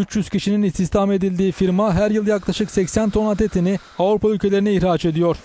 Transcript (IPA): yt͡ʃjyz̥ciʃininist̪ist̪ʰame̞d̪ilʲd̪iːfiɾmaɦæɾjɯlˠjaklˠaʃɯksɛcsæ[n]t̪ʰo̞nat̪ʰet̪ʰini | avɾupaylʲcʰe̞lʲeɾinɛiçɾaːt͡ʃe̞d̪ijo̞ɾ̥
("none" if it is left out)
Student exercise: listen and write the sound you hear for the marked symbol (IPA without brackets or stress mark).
n